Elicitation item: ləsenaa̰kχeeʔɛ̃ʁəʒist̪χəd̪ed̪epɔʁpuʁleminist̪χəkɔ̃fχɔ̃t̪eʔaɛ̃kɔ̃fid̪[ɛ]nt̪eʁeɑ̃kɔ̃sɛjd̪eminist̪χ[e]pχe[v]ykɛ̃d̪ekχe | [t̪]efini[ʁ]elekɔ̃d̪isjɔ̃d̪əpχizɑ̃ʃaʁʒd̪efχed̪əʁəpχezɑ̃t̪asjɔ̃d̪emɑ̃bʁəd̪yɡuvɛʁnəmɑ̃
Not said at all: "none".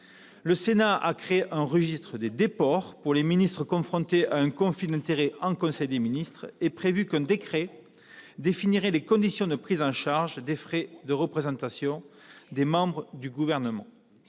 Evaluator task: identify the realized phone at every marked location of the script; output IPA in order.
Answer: ɛ̃, e, v, d̪, ʁ

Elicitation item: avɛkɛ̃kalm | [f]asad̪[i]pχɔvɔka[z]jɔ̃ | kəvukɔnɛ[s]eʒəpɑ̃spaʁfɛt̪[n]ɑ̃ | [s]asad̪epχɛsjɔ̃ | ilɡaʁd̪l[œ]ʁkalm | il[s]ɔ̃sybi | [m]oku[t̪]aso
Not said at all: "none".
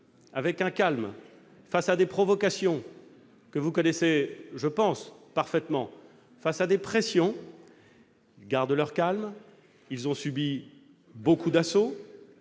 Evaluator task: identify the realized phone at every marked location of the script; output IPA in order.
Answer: f, e, s, s, m, f, œ, z, b, d̪

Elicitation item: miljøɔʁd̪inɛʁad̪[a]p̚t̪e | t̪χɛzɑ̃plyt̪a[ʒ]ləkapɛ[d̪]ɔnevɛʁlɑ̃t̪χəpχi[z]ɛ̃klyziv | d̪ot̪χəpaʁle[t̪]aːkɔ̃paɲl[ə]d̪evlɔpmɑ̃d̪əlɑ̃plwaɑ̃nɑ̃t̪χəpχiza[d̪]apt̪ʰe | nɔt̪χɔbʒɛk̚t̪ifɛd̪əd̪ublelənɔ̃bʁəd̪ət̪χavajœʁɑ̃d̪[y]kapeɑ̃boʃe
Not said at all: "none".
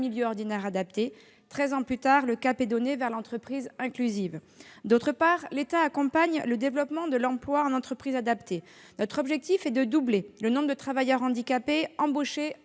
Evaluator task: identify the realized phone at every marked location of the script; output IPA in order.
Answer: a, ʁ, d̪, z, t̪, ə, d̪, i

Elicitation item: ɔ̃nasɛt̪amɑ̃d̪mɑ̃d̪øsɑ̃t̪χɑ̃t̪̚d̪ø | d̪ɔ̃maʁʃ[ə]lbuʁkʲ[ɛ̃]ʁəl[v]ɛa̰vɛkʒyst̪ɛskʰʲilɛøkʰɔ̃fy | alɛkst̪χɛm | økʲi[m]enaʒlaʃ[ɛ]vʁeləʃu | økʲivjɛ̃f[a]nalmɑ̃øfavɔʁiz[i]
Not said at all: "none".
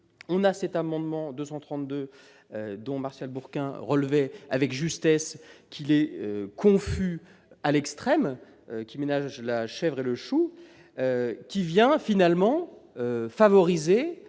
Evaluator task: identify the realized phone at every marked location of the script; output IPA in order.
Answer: a, ɛ̃, v, m, ɛ, i, e

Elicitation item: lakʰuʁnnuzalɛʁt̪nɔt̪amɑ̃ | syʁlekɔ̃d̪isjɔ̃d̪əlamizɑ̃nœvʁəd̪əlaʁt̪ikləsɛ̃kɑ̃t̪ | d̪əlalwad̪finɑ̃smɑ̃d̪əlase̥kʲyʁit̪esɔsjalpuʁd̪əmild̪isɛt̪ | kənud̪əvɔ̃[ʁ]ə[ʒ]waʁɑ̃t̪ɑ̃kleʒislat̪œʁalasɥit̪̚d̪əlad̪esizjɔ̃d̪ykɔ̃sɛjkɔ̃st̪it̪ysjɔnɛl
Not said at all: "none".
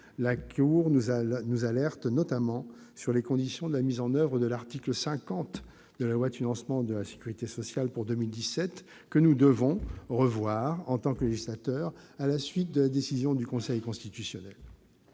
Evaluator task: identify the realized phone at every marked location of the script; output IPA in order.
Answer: ʁ, v

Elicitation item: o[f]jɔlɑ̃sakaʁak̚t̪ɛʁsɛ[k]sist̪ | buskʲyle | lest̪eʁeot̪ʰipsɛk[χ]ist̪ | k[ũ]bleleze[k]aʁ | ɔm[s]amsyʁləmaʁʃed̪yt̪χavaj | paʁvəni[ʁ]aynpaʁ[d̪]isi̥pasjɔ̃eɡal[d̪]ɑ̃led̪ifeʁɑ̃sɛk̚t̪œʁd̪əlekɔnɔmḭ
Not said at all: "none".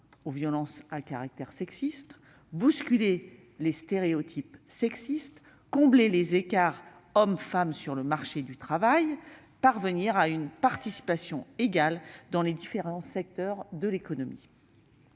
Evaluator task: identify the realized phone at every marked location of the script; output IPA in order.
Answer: v, k, s, ɔ̃, k, f, ʁ, t̪, d̪

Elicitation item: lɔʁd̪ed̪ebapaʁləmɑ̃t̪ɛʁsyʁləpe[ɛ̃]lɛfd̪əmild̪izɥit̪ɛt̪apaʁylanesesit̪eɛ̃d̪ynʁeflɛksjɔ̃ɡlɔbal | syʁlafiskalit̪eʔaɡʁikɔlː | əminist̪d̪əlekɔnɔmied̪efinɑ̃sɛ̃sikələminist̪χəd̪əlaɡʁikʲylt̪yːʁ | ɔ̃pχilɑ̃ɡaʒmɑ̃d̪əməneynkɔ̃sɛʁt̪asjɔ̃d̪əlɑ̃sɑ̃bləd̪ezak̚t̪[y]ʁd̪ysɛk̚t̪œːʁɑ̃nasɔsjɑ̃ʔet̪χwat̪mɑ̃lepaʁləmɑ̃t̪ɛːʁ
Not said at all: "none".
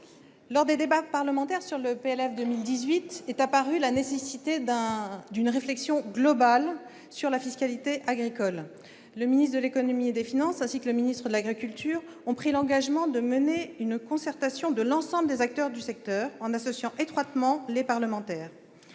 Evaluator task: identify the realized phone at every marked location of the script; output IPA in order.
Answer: ɛ, œ

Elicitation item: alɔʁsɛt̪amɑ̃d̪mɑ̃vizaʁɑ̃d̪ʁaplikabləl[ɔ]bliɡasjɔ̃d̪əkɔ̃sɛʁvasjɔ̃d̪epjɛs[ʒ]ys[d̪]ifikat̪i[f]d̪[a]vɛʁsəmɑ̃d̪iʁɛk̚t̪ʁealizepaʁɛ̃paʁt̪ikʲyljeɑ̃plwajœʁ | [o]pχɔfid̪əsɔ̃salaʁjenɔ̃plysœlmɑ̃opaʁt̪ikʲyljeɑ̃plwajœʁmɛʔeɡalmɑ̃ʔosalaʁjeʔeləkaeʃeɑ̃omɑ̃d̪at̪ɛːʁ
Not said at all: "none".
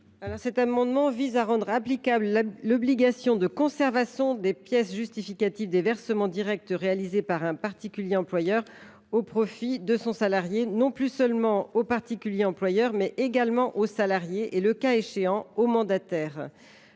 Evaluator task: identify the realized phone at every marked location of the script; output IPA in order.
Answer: ɔ, ʒ, t̪, v, e, o

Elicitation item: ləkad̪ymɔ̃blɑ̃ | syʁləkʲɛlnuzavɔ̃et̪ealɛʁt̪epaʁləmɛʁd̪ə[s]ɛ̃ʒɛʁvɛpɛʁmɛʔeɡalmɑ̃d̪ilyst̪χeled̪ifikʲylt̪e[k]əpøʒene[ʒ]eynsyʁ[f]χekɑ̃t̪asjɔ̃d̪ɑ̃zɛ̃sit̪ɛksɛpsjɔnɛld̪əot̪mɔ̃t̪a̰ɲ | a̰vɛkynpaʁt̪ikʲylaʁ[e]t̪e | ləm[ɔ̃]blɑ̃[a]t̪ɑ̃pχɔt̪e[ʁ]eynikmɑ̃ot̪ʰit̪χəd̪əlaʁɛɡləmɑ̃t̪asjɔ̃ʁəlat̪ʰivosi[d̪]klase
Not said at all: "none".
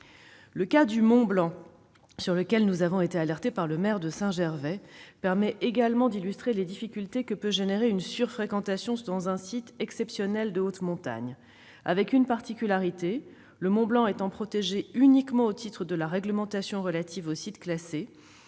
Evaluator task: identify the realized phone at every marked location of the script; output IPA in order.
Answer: s, k, ʁ, f, i, ɔ̃, e, ʒ, t̪

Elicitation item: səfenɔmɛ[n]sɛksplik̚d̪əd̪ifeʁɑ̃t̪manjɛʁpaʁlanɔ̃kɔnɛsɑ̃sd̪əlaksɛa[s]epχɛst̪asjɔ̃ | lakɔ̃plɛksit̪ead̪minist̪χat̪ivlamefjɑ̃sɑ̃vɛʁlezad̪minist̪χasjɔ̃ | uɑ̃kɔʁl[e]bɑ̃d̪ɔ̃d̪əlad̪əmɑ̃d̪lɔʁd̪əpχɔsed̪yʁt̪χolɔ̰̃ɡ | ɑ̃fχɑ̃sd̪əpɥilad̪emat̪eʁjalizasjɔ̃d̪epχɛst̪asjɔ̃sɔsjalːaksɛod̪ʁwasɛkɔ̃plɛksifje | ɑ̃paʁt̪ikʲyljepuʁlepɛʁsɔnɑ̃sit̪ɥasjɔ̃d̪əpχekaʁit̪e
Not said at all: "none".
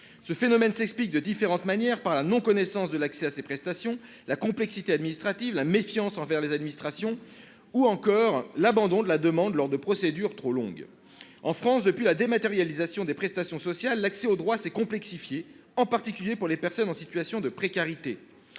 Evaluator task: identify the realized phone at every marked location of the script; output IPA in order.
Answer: n, s, a

